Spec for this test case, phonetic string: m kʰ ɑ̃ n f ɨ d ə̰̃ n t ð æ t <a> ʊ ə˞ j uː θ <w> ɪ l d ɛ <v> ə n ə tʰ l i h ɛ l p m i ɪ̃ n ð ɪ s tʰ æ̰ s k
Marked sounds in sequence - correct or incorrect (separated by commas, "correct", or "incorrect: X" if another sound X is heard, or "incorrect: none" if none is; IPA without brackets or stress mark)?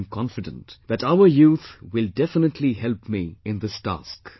correct, correct, incorrect: f